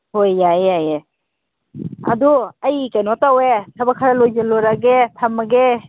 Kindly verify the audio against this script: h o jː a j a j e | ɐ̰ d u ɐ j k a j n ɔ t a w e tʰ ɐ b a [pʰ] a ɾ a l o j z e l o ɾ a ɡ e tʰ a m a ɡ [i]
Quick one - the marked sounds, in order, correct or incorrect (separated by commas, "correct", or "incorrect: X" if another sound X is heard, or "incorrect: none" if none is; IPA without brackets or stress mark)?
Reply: incorrect: kʰ, incorrect: e